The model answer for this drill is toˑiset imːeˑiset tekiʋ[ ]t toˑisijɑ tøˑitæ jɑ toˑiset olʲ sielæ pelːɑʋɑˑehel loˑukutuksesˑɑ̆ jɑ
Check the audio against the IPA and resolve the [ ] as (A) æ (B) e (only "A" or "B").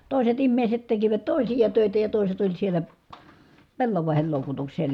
A